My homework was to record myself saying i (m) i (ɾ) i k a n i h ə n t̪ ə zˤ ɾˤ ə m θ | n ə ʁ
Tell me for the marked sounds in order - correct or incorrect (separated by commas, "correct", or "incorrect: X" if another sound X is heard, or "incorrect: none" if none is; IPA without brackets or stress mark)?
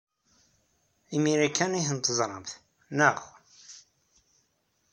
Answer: correct, correct